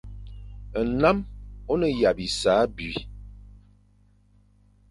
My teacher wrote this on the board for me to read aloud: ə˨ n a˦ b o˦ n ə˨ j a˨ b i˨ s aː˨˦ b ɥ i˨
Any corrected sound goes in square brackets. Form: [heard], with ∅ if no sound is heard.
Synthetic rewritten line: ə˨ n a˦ [m] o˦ n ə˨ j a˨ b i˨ s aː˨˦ b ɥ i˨